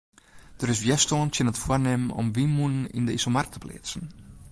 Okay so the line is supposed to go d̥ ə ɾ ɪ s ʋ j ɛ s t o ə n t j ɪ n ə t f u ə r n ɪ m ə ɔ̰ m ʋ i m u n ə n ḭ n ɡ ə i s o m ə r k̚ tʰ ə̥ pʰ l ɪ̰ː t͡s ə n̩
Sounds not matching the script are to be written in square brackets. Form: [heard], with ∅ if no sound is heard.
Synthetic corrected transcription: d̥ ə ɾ ɪ s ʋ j ɛ s t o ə n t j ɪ n ə t f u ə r n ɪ m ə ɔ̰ m ʋ i m u n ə n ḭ n [d] ə i s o m [a] r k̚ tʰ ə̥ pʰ l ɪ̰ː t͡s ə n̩